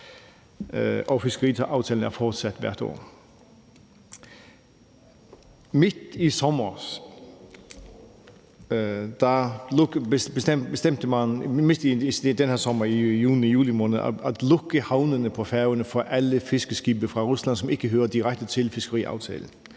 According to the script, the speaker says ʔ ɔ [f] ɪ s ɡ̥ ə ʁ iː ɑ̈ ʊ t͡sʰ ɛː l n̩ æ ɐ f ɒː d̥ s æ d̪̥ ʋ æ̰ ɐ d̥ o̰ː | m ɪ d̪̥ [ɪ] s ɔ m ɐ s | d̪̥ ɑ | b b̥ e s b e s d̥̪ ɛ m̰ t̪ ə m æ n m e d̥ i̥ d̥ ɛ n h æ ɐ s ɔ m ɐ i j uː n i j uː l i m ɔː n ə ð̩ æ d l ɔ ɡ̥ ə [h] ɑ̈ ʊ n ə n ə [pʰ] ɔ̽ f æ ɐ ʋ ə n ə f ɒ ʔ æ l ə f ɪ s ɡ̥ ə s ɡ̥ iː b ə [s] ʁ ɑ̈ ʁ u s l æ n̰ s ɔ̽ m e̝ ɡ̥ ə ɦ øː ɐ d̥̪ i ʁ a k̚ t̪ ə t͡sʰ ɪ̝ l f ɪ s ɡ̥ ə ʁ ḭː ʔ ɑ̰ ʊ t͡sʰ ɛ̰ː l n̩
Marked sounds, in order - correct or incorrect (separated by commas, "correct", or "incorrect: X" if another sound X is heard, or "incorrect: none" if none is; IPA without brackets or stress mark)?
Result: correct, incorrect: i, correct, correct, incorrect: f